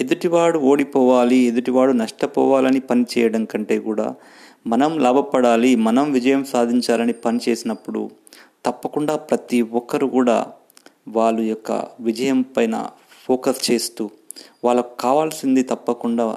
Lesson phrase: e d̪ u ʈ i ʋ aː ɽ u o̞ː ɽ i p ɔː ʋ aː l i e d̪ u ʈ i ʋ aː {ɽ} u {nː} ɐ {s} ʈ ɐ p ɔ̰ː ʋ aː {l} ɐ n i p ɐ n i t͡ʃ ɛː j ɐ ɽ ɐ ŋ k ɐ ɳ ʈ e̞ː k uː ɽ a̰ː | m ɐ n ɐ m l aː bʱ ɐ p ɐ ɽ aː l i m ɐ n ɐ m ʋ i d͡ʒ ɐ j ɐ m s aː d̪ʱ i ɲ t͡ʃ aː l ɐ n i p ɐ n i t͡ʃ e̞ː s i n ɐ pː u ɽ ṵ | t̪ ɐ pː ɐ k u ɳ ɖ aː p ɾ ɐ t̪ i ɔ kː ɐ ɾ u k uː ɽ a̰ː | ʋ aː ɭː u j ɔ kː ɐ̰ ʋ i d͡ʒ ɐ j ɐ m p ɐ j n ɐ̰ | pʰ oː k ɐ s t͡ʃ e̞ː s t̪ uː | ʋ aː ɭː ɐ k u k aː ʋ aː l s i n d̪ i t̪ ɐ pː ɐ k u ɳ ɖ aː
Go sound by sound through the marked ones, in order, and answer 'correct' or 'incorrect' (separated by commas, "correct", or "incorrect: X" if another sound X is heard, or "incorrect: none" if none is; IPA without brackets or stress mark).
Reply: correct, incorrect: n, incorrect: ʂ, correct